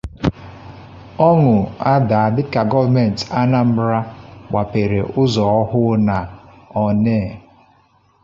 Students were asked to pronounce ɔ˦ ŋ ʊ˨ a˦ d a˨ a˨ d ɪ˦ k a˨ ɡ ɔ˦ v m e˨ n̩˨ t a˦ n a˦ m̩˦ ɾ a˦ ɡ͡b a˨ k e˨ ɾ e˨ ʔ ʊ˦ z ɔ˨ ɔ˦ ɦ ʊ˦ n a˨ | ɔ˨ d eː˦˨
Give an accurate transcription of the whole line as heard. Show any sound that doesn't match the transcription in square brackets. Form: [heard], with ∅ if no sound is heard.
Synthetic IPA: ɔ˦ ŋ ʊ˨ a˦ d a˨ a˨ d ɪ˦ k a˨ ɡ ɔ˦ v m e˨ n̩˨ t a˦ n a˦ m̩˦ ɾ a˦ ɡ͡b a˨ [p] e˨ ɾ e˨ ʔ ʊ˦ z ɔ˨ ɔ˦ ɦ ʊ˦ n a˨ | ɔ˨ [n] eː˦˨